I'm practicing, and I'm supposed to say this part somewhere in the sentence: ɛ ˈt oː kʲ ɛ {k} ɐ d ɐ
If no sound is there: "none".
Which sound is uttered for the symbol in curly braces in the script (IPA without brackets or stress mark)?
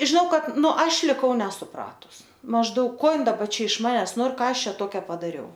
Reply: p